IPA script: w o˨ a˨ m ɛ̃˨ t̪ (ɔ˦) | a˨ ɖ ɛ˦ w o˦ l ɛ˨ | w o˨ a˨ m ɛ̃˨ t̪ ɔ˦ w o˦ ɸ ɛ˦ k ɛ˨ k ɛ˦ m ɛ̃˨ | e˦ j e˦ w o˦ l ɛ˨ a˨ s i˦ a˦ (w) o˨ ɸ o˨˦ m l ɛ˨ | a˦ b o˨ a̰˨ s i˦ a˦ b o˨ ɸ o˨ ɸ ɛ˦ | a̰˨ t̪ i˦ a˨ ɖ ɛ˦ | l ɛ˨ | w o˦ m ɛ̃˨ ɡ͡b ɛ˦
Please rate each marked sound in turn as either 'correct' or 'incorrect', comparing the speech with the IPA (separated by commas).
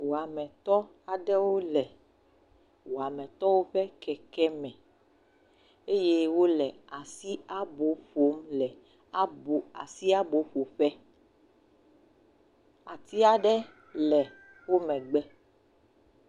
correct, incorrect